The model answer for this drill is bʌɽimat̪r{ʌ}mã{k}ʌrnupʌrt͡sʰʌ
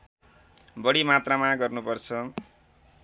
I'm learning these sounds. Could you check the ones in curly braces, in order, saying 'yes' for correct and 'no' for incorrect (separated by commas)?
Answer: no, no